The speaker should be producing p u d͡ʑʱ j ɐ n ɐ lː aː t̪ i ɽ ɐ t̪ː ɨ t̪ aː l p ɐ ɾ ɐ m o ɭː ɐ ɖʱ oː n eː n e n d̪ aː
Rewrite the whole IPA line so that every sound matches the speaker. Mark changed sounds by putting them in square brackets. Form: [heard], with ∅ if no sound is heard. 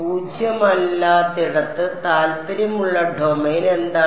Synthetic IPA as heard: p [uː] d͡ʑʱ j ɐ [m] ɐ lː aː t̪ i ɽ ɐ t̪ː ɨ t̪ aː l p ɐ ɾ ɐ m [u] ɭː ɐ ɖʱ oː [m] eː n e n d̪ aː